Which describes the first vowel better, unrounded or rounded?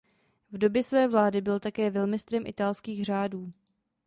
rounded